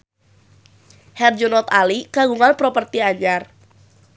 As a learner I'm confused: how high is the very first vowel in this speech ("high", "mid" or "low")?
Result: mid